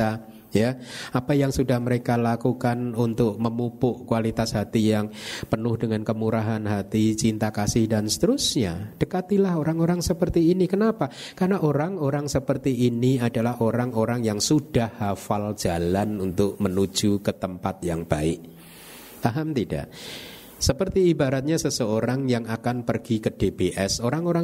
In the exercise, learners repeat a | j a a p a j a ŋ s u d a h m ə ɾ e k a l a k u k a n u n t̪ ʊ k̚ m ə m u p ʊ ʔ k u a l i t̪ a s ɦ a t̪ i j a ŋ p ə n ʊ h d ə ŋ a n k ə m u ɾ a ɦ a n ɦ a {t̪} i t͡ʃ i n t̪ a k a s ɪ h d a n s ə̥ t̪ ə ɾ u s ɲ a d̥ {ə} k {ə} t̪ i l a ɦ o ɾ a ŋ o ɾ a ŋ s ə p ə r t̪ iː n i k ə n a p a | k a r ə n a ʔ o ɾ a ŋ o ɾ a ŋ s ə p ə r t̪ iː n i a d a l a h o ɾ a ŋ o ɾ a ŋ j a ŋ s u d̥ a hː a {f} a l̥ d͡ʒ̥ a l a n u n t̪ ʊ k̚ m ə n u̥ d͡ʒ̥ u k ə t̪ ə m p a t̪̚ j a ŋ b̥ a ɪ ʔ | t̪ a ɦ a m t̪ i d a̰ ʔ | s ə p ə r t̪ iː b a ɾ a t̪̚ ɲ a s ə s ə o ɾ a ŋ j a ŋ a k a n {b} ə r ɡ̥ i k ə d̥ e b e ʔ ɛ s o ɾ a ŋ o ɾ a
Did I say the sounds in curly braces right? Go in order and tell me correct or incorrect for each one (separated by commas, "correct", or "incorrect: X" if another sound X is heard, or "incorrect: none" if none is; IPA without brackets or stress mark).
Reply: correct, correct, incorrect: a, correct, incorrect: p